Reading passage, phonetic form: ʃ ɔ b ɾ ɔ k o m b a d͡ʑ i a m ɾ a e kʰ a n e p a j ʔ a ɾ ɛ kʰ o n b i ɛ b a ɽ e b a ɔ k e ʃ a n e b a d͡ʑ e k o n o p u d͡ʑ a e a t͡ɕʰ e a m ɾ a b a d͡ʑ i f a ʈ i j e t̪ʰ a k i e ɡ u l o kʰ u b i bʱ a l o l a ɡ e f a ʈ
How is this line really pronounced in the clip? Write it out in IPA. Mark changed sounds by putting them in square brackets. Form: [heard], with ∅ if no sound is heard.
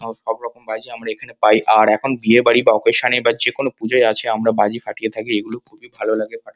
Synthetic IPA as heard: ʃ ɔ b ɾ ɔ k o m b a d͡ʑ i a m ɾ a e kʰ a n e p a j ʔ a ɾ ɛ kʰ o n b i [e] b a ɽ [i] b a ɔ k e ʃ a n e b a d͡ʑ e k o n o p u d͡ʑ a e a t͡ɕʰ e a m ɾ a b a d͡ʑ i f a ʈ i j e t̪ʰ a k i e ɡ u l o kʰ u b i bʱ a l o l a ɡ e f a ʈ